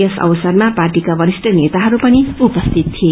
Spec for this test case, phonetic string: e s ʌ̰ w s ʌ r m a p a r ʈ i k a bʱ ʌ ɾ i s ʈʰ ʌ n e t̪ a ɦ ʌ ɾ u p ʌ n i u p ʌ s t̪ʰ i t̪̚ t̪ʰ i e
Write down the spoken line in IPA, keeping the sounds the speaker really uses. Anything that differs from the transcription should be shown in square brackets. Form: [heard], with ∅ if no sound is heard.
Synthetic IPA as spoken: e s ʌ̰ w s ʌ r m a p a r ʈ i k a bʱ ʌ ɾ i s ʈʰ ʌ n e t̪ a ɦ ʌ ɾ u p ʌ n i u p ʌ s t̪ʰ i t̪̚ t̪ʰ i e